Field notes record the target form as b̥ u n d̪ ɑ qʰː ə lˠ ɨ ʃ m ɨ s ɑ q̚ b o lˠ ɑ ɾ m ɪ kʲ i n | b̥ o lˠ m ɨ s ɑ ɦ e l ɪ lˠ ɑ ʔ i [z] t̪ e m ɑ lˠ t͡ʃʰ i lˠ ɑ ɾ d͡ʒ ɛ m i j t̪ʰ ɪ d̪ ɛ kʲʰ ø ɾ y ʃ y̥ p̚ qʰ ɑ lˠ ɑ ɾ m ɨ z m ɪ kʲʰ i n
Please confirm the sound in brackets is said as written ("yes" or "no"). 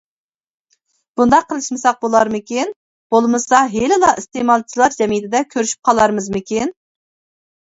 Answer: no